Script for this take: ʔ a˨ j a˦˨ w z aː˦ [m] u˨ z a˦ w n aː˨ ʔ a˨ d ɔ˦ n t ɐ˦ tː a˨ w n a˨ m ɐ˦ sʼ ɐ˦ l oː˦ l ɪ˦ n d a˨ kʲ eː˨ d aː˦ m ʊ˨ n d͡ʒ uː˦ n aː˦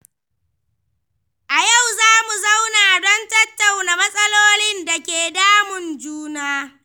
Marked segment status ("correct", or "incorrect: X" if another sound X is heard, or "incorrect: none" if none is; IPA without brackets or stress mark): correct